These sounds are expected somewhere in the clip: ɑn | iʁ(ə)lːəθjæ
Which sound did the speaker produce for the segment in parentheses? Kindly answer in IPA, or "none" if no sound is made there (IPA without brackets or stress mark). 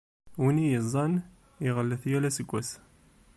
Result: ə